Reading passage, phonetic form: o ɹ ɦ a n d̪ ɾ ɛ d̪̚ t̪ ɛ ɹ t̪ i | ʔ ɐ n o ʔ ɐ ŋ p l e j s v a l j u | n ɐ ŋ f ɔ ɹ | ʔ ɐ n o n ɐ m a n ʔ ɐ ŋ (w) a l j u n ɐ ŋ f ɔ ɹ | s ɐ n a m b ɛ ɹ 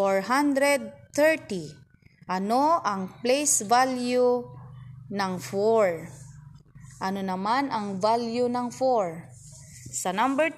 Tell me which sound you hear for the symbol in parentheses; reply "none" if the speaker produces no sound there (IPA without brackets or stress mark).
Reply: v